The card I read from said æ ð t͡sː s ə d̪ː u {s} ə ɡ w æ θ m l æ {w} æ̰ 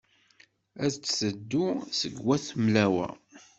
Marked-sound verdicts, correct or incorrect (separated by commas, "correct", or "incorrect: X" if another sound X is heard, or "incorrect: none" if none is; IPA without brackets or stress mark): correct, correct